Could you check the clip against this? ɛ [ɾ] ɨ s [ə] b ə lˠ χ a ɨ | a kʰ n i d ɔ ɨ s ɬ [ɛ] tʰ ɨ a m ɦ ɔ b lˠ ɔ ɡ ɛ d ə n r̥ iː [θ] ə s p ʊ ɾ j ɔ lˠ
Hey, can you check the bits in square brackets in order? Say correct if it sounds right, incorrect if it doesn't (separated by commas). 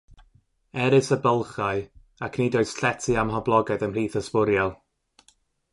correct, correct, correct, correct